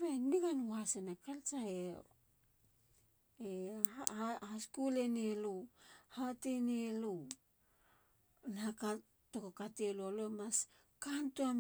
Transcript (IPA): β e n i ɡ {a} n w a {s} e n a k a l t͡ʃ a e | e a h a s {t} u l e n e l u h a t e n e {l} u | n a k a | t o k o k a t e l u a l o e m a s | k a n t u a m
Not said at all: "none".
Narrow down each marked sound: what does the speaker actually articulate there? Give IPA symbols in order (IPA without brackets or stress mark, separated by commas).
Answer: a, s, k, l